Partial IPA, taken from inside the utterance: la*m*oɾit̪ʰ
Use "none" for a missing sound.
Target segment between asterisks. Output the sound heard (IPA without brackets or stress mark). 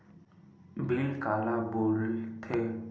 b